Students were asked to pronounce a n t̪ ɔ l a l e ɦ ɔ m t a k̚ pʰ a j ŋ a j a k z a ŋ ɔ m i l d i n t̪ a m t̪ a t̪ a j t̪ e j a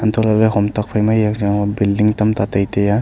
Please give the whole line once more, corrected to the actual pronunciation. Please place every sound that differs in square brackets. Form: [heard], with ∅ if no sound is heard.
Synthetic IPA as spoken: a n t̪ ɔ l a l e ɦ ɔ m t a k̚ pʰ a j [m] a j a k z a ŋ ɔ [b] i l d i [ŋ] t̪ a m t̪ a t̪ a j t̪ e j a